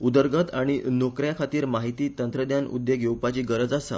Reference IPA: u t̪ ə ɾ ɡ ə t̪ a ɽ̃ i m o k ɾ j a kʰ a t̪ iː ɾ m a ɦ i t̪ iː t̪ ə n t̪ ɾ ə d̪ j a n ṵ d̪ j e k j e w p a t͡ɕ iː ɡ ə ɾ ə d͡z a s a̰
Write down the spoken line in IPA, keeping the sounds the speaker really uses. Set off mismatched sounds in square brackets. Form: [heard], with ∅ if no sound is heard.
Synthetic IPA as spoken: u [d̪] ə ɾ ɡ ə t̪ a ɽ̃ i [n] o k ɾ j a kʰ a t̪ iː ɾ m a ɦ i t̪ iː t̪ ə n t̪ ɾ ə d̪ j a n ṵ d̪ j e [ɡ] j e w p a t͡ɕ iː ɡ ə ɾ ə d͡z a s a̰